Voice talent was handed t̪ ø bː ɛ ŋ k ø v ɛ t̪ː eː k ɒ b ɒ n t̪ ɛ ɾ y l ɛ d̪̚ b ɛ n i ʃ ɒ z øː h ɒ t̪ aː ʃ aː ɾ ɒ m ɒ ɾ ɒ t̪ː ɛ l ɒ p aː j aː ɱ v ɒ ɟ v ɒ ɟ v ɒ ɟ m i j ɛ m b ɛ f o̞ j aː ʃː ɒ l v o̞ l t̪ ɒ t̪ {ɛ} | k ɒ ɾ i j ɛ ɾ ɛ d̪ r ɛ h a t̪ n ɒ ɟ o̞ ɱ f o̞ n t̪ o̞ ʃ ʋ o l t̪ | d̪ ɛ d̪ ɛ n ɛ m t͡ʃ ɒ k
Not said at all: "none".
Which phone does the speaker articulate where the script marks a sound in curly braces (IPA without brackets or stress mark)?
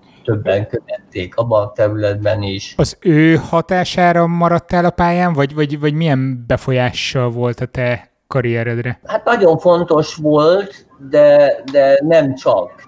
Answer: ɛ